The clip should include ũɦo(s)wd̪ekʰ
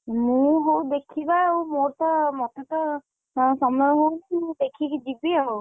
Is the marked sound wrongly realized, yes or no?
yes